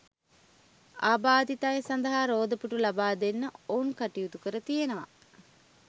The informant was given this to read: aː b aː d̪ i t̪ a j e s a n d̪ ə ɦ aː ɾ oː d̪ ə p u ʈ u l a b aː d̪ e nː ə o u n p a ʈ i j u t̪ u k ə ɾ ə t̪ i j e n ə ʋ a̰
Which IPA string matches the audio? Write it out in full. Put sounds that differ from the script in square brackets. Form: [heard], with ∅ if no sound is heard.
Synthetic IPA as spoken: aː b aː d̪ i t̪ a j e s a n d̪ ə ɦ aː ɾ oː d̪ ə p u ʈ u l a b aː d̪ e nː ə o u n [k] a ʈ i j u t̪ u k ə ɾ ə t̪ i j e n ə ʋ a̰